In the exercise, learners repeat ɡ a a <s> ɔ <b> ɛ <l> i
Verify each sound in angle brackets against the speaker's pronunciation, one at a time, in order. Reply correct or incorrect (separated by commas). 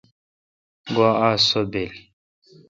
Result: correct, correct, correct